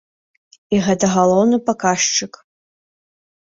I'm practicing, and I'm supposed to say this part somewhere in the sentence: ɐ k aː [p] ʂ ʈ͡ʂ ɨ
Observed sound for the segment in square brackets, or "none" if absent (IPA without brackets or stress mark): none